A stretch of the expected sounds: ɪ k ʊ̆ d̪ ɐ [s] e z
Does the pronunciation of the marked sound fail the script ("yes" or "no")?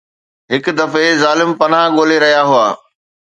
yes